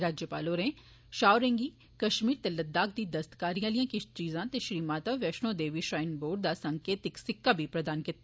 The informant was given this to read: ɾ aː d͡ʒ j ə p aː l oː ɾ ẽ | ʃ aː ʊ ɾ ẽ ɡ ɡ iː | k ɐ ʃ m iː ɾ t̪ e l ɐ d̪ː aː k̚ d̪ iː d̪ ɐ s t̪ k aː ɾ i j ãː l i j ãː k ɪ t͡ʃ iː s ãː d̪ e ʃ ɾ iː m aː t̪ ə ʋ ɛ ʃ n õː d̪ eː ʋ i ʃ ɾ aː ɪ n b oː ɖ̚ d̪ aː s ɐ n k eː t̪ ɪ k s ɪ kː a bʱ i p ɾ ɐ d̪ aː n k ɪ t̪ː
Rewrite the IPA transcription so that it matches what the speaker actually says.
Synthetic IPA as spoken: ɾ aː d͡ʒ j ə p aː l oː ɾ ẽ | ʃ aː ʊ ɾ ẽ ŋ ɡ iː | k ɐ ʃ m iː ɾ t̪ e l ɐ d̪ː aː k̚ d̪ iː d̪ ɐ s t̪ k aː ɾ i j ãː l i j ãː k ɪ t͡ʃ iː z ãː t̪ e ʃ ɾ iː m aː t̪ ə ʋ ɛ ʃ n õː d̪ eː ʋ i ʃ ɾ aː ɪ n b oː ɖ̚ d̪ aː s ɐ ŋ k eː t̪ ɪ k s ɪ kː a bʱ i p ɾ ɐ d̪ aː n k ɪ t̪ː

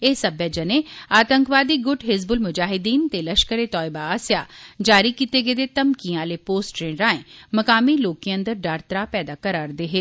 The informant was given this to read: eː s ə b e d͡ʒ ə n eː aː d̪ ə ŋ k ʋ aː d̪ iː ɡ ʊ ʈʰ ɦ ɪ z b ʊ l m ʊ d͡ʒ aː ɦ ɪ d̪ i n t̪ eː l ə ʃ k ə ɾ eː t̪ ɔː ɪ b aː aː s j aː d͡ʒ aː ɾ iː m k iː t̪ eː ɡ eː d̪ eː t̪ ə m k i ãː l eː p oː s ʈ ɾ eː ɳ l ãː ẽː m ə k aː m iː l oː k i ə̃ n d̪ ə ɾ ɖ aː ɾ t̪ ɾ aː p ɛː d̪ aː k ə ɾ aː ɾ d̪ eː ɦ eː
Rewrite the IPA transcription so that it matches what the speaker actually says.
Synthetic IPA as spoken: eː s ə b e d͡ʒ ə n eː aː t̪ ə ŋ k ʋ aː d̪ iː ɡ ʊ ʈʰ ɦ ɪ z b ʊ l m ʊ d͡ʒ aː ɦ ɪ d̪ iː n t̪ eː l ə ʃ k ə ɾ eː t̪ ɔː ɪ b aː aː s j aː d͡ʒ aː ɾ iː k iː t̪ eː ɡ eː d̪ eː t̪ ə m k i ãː l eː p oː s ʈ ɾ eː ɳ ɾ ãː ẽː m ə k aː m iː l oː k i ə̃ n d̪ ə ɾ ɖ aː ɾ t̪ ɾ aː p ɛː d̪ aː k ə ɾ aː ɾ d̪ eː ɦ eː

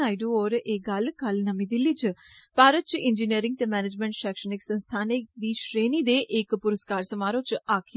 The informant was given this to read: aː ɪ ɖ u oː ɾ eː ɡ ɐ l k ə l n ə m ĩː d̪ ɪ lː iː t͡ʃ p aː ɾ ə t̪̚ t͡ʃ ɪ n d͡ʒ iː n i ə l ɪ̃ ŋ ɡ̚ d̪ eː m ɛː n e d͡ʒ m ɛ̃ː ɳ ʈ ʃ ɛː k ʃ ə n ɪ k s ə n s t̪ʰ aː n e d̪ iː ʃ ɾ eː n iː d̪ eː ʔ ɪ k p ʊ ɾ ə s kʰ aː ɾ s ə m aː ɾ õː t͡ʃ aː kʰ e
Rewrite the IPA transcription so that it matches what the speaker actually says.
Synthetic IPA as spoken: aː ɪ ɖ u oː ɾ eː ɡ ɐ l k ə l n ə m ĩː d̪ ɪ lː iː t͡ʃ p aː ɾ ə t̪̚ t͡ʃ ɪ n d͡ʒ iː n i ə ɾ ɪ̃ ŋ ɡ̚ t̪ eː m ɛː n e d͡ʒ m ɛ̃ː ɳ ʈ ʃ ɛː k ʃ ə n ɪ k s ə n s t̪ʰ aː n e d̪ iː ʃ ɾ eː n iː d̪ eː ʔ ɪ k p ʊ ɾ ə s k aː ɾ s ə m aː ɾ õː t͡ʃ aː kʰ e

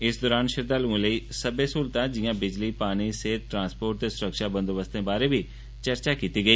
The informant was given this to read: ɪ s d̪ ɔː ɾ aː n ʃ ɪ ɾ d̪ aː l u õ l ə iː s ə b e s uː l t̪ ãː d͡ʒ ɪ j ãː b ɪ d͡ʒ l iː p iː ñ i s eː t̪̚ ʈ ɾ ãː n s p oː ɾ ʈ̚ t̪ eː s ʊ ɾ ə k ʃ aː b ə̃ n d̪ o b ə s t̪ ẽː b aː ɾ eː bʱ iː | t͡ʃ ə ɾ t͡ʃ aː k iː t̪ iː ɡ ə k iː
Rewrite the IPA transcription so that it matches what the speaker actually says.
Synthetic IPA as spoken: ɪ s d̪ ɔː ɾ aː n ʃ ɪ ɾ d̪ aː l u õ l ə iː s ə b e s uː l t̪ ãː d͡ʒ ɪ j ãː b ɪ d͡ʒ l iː p aː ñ i s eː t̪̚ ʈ ɾ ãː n s p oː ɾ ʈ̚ t̪ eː s ʊ ɾ ə k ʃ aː b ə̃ n d̪ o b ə s t̪ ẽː b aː ɾ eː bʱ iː | t͡ʃ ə ɾ t͡ʃ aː k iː t̪ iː ɡ ə iː

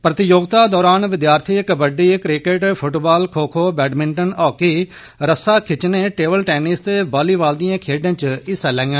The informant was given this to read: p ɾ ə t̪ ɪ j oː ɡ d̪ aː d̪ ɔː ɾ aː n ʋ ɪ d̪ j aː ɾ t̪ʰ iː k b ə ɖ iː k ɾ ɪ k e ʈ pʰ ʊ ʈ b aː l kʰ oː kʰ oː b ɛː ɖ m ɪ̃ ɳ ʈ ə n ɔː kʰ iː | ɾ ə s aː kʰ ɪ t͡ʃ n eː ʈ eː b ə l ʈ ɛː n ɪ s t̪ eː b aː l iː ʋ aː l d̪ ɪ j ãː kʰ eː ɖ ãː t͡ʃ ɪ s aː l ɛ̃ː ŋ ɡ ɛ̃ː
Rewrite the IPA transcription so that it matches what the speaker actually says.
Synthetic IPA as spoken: p ɾ ə t̪ ɪ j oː ɡ t̪ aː d̪ ɔː ɾ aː n ʋ ɪ d̪ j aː ɾ t̪ʰ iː k b ə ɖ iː k ɾ ɪ k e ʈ pʰ ʊ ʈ b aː l kʰ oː kʰ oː b ɛː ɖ m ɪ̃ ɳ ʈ ə n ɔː k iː | ɾ ə s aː kʰ ɪ t͡ʃ n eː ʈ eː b ə l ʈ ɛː n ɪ s t̪ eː b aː l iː ʋ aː l d̪ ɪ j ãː kʰ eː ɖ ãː t͡ʃ ɪ s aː l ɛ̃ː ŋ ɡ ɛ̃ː

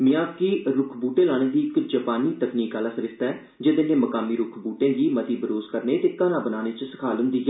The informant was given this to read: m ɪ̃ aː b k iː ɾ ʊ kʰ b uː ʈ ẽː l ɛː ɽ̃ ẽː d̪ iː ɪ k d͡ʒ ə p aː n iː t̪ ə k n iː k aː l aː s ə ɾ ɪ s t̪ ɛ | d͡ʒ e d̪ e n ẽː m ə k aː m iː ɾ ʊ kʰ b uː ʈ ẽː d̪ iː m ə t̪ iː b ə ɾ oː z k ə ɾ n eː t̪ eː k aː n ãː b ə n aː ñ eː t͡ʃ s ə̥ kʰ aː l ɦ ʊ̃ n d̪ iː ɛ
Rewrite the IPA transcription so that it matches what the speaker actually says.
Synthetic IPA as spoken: m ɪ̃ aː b k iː ɾ ʊ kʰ b uː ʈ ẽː l aː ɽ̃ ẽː d̪ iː ɪ k d͡ʒ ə p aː n iː t̪ ə k n iː k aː l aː s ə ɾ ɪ s t̪ ɛː | d͡ʒ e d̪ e n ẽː m ə k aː m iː ɾ ʊ kʰ b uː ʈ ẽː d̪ iː m ə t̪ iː b ə ɾ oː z k ə ɾ n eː t̪ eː k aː n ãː b ə n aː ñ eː t͡ʃ s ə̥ kʰ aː l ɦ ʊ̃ n d̪ iː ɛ

